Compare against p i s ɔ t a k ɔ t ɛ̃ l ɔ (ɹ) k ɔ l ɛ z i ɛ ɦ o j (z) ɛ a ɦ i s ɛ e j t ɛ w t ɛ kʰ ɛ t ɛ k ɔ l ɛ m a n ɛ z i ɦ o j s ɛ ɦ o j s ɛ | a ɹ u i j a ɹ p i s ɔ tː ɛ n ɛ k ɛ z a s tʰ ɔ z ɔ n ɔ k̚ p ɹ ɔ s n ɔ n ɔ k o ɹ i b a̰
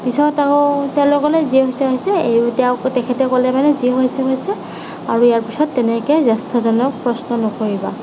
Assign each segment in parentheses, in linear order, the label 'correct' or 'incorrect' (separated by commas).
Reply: incorrect, incorrect